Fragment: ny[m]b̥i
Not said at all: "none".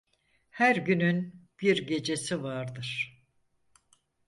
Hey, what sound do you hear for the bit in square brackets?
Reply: n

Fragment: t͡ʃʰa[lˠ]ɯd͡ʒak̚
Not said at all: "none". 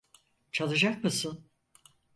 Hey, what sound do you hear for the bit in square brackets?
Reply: lˠ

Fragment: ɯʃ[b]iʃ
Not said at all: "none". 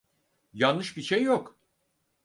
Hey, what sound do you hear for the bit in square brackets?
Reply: b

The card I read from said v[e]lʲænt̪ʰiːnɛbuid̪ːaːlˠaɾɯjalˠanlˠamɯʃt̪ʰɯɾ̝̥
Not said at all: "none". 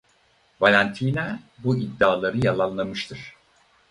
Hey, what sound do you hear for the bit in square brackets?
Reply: a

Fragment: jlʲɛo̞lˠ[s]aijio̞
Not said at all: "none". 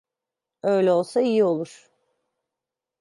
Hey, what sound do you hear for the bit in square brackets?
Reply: s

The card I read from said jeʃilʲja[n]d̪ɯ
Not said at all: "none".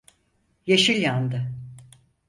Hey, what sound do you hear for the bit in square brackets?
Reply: n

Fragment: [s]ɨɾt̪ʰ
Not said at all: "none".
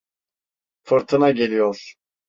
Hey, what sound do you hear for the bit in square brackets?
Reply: f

